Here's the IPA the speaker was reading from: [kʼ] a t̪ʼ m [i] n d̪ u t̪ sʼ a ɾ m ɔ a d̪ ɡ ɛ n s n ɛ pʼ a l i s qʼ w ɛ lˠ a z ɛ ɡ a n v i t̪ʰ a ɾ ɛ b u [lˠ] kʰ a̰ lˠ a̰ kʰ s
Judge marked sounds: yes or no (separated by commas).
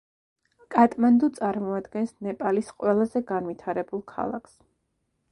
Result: yes, no, yes